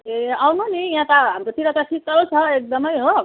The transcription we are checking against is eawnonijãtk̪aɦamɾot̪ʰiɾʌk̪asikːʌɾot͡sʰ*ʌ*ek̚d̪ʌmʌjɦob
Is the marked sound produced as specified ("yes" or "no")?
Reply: yes